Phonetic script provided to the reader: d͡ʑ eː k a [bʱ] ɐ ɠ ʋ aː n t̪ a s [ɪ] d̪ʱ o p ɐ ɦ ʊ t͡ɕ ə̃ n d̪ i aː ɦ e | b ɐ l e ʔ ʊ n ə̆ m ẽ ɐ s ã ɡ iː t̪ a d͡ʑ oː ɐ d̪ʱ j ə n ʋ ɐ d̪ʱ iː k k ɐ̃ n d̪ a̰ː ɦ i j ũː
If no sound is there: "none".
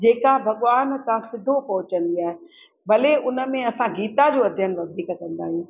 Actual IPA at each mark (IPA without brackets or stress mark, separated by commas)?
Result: bʱ, ɪ